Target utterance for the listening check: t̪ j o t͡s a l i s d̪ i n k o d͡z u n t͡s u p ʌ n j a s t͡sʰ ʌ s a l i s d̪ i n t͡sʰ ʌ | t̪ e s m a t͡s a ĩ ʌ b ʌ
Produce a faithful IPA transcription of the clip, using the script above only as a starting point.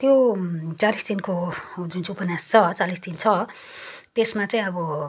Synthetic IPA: t̪ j o t͡s a l i s d̪ i n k o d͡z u n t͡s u p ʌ n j a s t͡sʰ ʌ t͡s a l i s d̪ i n t͡sʰ ʌ | t̪ e s m a t͡s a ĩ ʌ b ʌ